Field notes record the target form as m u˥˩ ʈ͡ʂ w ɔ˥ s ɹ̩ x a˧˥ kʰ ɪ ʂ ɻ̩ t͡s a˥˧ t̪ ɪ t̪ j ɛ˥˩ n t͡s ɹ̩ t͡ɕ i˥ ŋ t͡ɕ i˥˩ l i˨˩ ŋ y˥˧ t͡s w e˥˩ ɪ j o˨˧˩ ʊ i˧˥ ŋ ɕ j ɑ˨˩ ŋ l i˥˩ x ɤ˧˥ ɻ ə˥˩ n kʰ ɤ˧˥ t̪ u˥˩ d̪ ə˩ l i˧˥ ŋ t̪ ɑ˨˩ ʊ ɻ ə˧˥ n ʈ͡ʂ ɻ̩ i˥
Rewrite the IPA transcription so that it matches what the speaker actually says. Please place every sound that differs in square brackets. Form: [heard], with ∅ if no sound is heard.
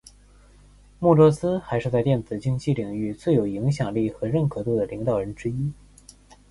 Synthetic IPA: m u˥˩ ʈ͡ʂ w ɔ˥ s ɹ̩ x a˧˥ [∅] ɪ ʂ ɻ̩ t͡s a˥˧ [∅] ɪ t̪ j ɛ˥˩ n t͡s ɹ̩ t͡ɕ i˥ ŋ t͡ɕ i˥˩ l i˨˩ ŋ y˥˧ t͡s w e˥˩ ɪ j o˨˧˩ ʊ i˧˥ ŋ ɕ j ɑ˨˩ ŋ l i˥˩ x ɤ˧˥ ɻ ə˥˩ n kʰ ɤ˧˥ t̪ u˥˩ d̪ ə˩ l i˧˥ ŋ t̪ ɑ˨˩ ʊ ɻ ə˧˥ n ʈ͡ʂ ɻ̩ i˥